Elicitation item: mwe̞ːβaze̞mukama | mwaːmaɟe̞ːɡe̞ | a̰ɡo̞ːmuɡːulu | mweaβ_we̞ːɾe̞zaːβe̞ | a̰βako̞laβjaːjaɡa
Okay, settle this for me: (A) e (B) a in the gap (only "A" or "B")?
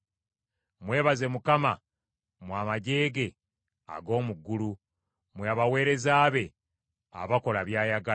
B